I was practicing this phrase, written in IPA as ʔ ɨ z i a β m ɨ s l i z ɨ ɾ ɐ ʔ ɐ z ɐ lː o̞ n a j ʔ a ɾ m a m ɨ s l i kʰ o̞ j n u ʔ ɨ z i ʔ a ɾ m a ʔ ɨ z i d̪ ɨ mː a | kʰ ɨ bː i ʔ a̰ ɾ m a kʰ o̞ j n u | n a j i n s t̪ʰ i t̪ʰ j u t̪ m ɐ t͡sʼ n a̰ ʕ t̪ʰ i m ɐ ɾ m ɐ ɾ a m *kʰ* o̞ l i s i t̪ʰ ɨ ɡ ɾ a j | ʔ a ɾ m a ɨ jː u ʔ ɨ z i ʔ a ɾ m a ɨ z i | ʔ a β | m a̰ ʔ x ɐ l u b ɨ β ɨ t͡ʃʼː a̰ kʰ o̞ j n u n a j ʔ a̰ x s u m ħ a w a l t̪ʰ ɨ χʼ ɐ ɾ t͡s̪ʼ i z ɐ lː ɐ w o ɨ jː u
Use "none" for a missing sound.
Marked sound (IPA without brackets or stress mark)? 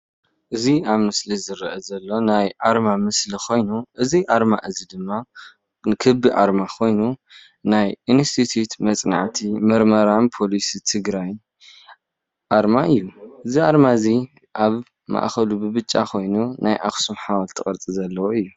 pʰ